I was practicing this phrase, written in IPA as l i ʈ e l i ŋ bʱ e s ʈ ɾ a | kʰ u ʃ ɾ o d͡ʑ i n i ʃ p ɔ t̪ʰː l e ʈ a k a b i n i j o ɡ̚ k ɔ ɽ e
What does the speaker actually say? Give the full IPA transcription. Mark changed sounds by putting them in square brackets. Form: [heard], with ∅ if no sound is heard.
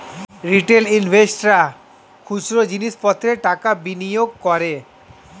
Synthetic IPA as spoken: [ɾ] i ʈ e l i [n] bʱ e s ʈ ɾ a | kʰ u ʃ ɾ o d͡ʑ i n i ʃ p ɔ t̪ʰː [ɾ] e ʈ a k a b i n i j o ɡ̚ k ɔ [ɾ] e

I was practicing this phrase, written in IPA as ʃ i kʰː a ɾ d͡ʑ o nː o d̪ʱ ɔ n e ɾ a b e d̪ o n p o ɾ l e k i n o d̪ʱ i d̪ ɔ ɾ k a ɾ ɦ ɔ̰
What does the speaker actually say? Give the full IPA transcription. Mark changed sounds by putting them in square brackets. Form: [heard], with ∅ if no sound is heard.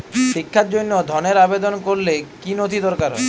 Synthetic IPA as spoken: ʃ i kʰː a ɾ d͡ʑ o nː o d̪ʱ ɔ n e ɾ a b e d̪ o n [k] o ɾ l e k i n o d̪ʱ i d̪ ɔ ɾ k a ɾ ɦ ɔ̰

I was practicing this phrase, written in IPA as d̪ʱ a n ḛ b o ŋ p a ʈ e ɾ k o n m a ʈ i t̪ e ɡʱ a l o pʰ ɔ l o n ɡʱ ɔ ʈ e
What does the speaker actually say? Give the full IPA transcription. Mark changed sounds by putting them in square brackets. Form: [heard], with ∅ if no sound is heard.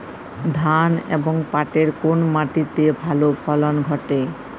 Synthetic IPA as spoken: d̪ʱ a n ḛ b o ŋ p a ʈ e ɾ k o n m a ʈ i t̪ e [bʱ] a l o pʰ ɔ l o n ɡʱ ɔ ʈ e

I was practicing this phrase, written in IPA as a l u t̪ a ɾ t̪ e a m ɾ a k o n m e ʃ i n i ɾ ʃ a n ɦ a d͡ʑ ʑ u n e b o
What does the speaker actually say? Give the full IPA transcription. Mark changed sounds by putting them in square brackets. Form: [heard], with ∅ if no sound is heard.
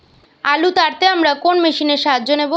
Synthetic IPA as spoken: a l u t̪ a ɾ t̪ e a m ɾ a k o n m e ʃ i n [e] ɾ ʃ a [∅] ɦ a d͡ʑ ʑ [o] n e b o

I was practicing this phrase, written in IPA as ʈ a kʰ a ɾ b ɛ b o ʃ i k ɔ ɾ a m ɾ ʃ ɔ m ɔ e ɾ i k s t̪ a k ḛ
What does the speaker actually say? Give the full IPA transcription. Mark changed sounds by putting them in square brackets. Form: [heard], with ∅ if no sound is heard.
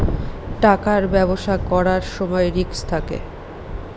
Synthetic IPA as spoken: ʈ a [k] a ɾ b ɛ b o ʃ [a] k ɔ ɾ a [∅] ɾ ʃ ɔ m ɔ e ɾ i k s [t̪ʰ] a k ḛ

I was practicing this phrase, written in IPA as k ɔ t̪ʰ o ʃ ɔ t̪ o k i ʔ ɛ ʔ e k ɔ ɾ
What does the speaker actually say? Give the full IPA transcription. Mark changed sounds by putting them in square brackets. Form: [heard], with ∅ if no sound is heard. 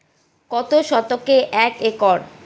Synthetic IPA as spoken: k ɔ [t̪] o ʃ ɔ t̪ o k [e] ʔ ɛ [k] e k ɔ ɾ

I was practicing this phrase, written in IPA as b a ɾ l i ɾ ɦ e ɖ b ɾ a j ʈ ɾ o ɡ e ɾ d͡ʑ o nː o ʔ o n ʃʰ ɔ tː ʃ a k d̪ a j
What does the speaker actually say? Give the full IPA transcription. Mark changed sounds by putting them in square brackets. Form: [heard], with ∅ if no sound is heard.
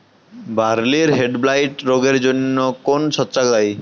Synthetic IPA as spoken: b a ɾ l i ɾ ɦ e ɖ b [l] a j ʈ ɾ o ɡ e ɾ d͡ʑ o nː o [k] o n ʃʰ ɔ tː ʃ a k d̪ a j

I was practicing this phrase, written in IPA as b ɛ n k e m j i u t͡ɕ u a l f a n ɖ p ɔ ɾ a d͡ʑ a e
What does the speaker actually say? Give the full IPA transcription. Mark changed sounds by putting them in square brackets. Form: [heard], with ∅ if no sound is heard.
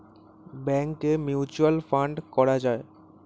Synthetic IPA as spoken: b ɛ [ŋ] k e m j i u t͡ɕ u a l f a [ɳ] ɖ [k] ɔ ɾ a d͡ʑ a e

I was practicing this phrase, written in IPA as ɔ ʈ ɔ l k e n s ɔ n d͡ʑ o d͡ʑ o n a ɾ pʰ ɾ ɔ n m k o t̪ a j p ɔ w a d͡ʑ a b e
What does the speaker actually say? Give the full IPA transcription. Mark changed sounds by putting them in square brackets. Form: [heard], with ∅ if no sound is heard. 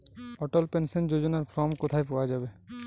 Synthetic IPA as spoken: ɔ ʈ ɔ l [p] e n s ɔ n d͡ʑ o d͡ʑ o n a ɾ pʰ ɾ ɔ [∅] m k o [t̪ʰ] a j p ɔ w a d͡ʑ a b e

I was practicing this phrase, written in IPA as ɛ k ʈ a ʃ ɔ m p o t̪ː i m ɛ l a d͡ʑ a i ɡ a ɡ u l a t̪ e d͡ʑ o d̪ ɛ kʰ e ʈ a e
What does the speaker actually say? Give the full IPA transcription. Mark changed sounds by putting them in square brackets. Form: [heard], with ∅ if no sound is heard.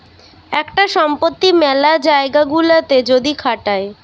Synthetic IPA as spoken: ɛ k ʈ a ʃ ɔ m p o t̪ː i m ɛ l a d͡ʑ a [e] ɡ a ɡ u l a t̪ e d͡ʑ o d̪ [i] kʰ [a] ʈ a e

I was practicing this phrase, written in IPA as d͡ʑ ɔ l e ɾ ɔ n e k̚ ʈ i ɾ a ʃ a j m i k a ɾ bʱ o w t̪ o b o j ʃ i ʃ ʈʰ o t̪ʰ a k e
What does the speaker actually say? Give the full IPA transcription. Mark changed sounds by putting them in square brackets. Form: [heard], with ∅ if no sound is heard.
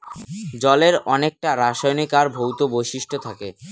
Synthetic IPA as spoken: d͡ʑ ɔ l e ɾ ɔ n e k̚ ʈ [a] ɾ a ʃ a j [n] i k a ɾ bʱ o w t̪ o b o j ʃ i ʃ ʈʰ o t̪ʰ a k e

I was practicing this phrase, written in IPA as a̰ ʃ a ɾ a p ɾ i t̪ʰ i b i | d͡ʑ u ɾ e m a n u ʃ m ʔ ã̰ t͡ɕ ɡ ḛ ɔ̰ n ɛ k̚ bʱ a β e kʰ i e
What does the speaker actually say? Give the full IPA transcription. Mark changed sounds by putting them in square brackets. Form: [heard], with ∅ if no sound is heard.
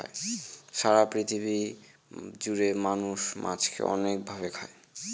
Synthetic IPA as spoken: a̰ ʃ a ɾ a p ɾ i t̪ʰ i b i | d͡ʑ u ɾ e m a n u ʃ m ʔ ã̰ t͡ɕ [k] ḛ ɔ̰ n [e] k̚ bʱ a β e kʰ [a] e

